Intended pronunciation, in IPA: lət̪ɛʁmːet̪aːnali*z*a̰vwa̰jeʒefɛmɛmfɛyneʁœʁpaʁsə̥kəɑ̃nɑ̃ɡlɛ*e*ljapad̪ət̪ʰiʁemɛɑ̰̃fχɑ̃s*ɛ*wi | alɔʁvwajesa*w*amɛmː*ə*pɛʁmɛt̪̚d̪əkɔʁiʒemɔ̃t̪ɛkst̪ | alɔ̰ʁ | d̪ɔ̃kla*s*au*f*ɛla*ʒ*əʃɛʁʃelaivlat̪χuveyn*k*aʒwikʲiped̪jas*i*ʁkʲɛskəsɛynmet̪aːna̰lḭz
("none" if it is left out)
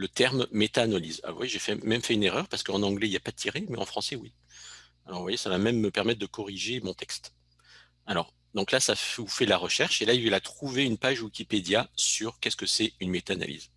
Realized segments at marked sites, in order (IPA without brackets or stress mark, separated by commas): z, i, ɛ, v, ə, s, f, ʁ, p, y